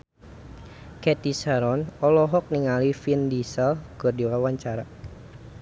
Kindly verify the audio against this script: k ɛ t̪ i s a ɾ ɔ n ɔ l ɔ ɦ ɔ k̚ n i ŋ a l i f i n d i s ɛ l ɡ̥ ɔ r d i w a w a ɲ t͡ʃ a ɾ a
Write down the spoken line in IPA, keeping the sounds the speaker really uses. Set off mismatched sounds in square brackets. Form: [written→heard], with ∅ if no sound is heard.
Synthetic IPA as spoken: k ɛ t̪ i s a ɾ ɔ n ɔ l ɔ ɦ ɔ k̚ n i ŋ a l i f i n d i s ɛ l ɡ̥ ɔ r d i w a w a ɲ t͡ʃ a ɾ a